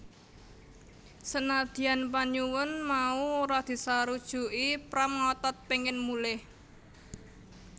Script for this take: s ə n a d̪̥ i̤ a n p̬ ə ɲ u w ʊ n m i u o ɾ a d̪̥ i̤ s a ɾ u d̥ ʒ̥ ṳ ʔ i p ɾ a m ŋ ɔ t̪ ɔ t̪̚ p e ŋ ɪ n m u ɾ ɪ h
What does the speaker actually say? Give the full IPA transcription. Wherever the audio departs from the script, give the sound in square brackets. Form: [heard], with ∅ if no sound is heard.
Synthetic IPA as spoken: s ə n a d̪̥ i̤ a n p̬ [a] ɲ u w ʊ n m [a] u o ɾ a d̪̥ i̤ s a ɾ u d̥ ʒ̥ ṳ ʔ i p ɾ a m ŋ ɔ t̪ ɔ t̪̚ p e ŋ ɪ n m u [l] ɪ h